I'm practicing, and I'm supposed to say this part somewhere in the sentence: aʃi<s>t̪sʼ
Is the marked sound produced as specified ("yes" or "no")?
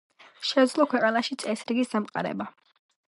no